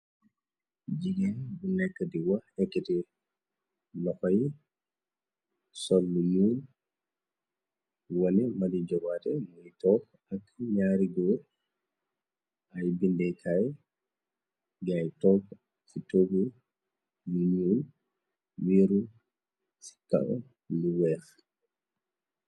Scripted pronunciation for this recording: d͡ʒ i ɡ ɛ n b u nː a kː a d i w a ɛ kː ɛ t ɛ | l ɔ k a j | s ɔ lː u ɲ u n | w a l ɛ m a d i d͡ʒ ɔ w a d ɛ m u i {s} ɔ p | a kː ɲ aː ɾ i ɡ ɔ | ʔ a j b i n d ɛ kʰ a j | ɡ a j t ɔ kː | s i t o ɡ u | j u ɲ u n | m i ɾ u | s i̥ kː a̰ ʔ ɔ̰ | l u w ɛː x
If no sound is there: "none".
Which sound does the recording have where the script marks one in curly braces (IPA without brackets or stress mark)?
t